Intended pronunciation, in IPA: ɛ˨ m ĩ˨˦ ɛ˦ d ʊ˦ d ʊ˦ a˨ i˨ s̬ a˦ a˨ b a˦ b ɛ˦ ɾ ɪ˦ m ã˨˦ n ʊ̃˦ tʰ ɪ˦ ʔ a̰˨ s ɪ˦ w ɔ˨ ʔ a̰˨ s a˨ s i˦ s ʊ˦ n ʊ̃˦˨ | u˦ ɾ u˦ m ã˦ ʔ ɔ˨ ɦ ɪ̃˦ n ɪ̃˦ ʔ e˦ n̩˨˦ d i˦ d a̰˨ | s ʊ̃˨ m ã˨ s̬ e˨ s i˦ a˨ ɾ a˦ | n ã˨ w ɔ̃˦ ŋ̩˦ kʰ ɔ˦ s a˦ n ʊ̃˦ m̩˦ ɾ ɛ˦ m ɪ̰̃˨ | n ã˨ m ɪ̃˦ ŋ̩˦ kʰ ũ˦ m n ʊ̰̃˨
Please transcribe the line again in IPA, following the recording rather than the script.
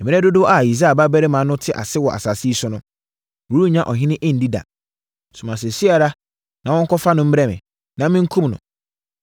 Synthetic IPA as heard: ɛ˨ m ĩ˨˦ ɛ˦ d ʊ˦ d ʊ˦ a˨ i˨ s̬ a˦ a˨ b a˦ b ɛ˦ ɾ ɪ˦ m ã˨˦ n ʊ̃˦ tʰ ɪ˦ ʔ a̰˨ s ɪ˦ w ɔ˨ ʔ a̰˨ s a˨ s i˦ s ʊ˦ n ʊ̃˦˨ | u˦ ɾ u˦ ɲ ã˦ ʔ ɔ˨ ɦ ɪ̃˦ n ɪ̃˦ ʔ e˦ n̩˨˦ d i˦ d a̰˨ | s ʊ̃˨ m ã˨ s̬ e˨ s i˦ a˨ ɾ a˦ | n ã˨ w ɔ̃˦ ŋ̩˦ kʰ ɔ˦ f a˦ n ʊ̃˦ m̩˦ ɾ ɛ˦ m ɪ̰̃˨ | n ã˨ m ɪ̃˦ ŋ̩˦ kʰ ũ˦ m n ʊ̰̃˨

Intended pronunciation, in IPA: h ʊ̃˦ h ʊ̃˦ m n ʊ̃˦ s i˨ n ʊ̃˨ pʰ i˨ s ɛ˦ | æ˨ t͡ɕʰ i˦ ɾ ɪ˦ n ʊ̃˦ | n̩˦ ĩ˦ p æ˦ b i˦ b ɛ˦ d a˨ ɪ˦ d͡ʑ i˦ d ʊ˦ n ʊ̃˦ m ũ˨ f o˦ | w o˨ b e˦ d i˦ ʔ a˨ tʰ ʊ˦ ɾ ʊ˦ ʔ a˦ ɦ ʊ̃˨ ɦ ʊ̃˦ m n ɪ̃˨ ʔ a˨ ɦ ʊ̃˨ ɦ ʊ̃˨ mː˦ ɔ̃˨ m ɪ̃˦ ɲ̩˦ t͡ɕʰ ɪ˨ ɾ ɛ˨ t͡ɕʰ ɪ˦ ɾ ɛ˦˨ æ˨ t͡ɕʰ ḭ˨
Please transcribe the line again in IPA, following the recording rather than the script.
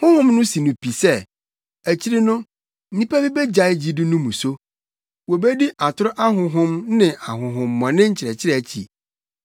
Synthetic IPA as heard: h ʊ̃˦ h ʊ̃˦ m n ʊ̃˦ s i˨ n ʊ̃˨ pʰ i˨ s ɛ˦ | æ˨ t͡ɕʰ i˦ ɾ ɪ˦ n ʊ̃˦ | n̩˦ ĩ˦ p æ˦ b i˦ b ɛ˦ d͡ʑ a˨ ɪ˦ d͡ʑ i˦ d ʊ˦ n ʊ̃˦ m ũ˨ s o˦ | w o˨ b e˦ d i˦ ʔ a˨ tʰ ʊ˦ ɾ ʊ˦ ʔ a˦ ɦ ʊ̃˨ ɦ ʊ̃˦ m n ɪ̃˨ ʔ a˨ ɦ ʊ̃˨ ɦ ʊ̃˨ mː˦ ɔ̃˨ n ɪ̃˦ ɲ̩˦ t͡ɕʰ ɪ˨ ɾ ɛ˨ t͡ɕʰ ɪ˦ ɾ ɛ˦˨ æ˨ t͡ɕʰ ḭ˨

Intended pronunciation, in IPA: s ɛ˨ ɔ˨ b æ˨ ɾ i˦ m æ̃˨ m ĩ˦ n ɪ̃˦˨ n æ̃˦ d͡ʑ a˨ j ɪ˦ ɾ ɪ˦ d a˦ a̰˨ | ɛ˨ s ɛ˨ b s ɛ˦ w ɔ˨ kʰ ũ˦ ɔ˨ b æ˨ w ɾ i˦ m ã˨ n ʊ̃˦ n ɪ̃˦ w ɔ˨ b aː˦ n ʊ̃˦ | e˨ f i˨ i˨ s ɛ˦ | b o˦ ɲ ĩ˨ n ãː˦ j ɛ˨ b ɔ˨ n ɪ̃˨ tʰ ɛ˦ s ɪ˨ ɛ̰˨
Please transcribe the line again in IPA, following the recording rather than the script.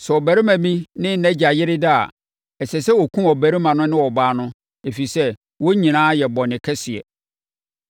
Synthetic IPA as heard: s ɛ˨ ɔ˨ b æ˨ ɾ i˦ m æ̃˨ m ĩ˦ n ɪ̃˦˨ n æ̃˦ d͡ʑ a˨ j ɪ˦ ɾ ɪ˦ d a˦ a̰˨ | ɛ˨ s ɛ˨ s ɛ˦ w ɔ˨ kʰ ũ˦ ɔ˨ b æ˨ ɾ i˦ m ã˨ n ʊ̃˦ n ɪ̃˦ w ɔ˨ b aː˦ n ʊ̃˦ | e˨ f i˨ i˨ s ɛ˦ | w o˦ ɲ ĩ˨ n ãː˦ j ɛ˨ b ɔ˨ n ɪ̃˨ kʰ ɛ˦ s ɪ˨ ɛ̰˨

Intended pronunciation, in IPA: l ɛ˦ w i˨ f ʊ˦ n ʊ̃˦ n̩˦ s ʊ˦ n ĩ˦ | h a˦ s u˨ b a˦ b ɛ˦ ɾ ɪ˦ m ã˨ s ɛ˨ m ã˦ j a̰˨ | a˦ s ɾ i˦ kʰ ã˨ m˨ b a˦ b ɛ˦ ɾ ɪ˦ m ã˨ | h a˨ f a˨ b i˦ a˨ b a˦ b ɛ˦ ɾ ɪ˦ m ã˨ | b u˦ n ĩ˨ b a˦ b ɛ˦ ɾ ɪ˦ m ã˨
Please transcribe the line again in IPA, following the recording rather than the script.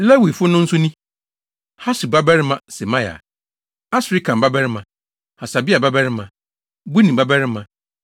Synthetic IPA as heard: l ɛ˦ w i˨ f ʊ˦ n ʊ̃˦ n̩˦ s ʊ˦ n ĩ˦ | h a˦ s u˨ b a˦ b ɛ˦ ɾ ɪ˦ m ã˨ s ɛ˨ m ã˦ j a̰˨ | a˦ s ɾ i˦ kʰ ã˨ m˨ b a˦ b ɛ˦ ɾ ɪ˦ m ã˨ | h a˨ s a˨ b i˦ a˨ b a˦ b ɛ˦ ɾ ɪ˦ m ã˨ | b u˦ n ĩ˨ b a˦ b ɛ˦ ɾ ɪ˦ m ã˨

